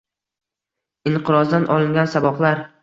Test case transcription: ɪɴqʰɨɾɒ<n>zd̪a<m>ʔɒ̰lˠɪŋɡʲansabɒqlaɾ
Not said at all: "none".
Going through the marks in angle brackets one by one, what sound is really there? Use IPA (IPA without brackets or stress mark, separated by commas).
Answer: none, n